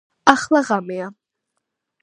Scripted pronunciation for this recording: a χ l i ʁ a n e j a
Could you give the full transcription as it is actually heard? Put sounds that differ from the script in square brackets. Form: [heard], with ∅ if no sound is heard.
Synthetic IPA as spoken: a χ l [a] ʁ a [m] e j a